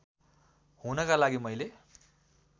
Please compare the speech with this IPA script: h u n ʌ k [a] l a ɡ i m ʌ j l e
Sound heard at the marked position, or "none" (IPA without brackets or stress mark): a